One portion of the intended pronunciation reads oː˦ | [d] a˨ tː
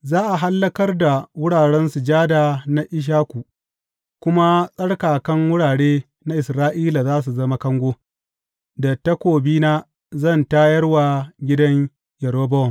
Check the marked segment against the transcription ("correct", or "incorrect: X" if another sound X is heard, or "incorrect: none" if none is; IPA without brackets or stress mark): correct